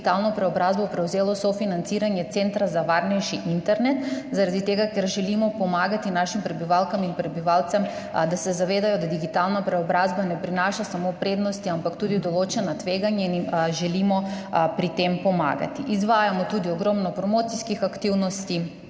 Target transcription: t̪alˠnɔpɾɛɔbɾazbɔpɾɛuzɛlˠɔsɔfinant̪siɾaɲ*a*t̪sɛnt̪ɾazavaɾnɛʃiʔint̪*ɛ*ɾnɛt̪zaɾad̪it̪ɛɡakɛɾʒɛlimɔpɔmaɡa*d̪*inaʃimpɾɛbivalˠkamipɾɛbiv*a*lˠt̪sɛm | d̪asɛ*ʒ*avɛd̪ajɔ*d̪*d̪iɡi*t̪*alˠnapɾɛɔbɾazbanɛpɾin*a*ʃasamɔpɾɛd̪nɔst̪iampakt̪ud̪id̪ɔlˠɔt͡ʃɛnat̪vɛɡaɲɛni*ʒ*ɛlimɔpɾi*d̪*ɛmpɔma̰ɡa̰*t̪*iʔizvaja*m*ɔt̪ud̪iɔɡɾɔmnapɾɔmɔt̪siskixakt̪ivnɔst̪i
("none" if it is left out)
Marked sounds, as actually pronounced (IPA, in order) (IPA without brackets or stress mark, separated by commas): ɛ, ɛ, t̪, a, z, d̪, t̪, a, ʒ, t̪, t̪, m